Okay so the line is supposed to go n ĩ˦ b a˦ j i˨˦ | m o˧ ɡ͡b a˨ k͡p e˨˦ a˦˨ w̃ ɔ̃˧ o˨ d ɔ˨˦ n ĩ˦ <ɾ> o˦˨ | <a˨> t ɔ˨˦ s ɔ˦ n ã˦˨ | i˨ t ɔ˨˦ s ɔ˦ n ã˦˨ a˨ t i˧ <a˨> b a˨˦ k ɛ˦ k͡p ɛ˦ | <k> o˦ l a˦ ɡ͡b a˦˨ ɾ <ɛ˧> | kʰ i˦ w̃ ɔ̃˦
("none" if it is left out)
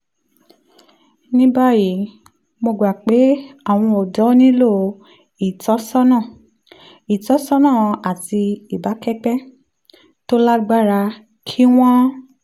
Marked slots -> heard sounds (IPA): l, i˨, i˨, t, a˧

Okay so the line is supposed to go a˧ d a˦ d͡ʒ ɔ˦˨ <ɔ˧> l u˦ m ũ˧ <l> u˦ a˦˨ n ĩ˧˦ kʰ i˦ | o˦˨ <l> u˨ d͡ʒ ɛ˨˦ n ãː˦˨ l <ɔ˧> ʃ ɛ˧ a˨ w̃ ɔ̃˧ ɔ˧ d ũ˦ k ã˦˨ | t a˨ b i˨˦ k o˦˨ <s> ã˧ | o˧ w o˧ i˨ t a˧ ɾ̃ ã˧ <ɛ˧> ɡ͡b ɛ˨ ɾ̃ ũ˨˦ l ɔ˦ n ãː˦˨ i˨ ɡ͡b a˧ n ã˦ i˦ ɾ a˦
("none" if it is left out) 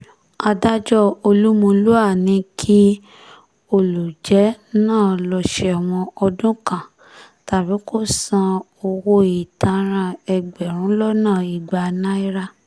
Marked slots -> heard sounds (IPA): o˧, l, l, ɔ˧, s, ɛ˧

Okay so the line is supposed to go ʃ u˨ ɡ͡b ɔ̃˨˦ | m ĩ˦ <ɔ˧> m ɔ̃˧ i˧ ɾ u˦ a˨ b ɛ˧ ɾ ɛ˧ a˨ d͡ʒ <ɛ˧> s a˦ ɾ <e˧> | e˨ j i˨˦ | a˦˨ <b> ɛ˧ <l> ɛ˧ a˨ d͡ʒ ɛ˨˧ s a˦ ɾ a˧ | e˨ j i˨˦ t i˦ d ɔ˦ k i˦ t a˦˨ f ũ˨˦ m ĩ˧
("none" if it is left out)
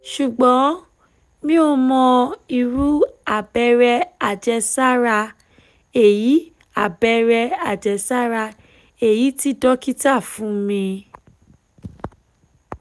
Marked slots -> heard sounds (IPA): o˧, ɛ˧, a˧, b, ɾ

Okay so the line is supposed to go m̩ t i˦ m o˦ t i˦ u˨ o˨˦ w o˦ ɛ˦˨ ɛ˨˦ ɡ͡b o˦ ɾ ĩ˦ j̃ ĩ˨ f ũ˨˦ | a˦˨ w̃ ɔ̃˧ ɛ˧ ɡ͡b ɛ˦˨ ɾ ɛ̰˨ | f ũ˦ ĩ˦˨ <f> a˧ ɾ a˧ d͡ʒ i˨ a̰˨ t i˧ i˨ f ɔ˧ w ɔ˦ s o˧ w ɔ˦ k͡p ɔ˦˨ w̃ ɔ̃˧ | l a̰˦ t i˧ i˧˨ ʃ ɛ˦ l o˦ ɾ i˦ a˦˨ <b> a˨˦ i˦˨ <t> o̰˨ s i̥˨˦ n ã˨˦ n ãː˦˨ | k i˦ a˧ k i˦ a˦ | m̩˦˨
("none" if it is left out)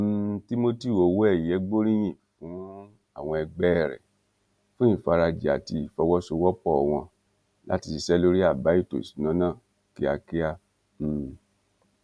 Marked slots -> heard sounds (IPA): f, b, t

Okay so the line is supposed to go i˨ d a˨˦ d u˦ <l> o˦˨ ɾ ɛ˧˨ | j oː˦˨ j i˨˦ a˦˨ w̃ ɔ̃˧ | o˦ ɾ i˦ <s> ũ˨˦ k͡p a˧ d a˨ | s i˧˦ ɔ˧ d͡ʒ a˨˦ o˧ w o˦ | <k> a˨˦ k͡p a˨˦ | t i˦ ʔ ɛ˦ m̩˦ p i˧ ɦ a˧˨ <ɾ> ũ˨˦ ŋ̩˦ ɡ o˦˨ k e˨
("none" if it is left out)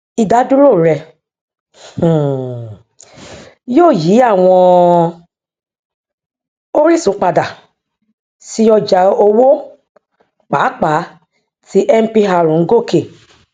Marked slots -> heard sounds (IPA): ɾ, s, k͡p, ɾ

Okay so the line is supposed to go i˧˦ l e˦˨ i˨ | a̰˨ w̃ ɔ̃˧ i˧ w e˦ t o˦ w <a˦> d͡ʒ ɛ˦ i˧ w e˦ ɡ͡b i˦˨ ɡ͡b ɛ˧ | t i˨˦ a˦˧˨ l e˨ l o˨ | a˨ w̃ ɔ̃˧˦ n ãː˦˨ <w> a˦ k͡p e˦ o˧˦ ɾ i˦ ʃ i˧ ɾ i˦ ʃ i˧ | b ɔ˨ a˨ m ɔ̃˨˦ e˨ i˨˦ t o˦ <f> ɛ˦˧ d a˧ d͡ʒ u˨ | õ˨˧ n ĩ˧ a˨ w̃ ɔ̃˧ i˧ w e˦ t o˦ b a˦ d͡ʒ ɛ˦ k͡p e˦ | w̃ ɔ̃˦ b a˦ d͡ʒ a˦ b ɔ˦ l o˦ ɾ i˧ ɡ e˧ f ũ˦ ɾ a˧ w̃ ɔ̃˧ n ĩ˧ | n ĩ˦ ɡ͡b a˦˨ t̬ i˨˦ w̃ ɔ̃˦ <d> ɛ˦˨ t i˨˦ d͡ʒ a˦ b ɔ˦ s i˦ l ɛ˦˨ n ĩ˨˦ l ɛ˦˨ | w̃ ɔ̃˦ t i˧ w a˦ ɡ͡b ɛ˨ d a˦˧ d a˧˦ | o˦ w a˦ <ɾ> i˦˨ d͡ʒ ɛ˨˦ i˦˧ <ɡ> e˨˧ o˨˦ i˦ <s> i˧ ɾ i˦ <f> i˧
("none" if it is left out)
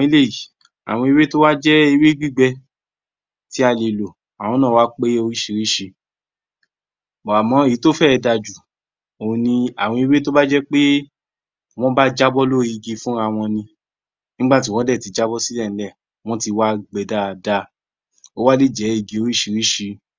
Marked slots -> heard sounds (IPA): a˦, w, f, d, l, ɡ, ʃ, ʃ

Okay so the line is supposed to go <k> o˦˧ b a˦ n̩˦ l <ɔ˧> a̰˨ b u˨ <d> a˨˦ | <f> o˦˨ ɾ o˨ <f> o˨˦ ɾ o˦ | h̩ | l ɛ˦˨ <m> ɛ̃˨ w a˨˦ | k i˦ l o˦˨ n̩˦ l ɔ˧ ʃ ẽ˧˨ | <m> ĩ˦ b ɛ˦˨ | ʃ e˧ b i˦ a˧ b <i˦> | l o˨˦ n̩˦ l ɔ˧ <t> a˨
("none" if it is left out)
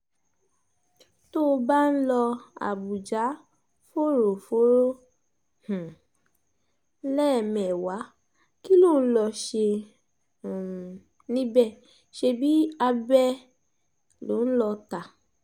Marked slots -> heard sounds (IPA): t, ɔ˧, d͡ʒ, f, f, m, n, ɛ˦, t

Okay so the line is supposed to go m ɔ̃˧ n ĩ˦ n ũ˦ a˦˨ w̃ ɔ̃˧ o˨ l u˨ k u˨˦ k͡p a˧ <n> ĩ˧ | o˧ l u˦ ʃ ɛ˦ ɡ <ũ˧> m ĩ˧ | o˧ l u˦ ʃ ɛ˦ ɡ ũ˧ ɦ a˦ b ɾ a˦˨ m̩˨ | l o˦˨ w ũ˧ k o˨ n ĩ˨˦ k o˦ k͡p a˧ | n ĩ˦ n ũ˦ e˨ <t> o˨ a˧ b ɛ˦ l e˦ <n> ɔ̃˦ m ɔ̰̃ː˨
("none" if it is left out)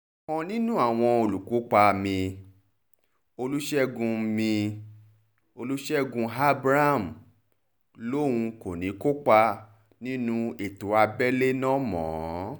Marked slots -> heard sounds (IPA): m, ũ˧, t, n

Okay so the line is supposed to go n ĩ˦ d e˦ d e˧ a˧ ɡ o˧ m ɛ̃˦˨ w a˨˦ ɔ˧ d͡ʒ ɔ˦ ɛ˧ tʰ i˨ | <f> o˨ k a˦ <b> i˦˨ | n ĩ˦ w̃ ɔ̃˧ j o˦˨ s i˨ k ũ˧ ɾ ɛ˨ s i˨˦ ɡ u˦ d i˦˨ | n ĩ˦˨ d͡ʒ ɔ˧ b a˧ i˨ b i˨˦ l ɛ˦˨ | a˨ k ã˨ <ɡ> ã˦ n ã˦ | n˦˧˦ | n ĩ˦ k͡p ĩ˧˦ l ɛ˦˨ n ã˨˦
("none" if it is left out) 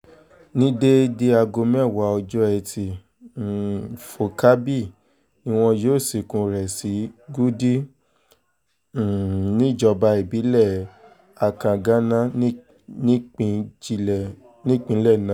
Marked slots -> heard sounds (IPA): f, b, ɡ

